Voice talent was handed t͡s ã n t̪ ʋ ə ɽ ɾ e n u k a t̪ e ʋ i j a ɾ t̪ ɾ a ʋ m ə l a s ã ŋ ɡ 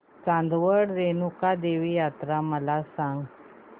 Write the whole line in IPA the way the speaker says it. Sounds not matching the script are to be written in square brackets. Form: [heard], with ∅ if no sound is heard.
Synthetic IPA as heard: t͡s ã n [d̪] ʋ ə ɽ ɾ e n u k a [d̪] e ʋ i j a [∅] t̪ ɾ a [∅] m ə l a s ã ŋ ɡ